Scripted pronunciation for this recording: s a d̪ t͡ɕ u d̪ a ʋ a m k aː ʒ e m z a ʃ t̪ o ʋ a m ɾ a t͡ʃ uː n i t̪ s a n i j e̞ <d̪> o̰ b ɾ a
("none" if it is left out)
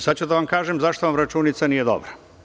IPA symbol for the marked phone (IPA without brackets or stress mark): d̪